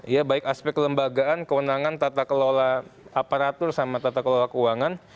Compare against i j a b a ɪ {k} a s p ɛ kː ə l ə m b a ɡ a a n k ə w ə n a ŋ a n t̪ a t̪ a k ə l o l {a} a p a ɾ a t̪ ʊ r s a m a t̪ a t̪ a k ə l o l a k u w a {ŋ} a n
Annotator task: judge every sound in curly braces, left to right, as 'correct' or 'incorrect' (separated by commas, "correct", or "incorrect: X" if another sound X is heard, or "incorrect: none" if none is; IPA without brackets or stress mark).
correct, correct, correct